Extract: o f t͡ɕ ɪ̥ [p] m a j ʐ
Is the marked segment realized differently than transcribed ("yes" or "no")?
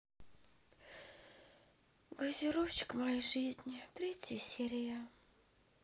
yes